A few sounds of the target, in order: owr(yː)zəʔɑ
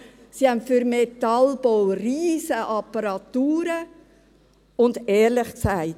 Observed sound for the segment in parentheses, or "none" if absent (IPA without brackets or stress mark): iː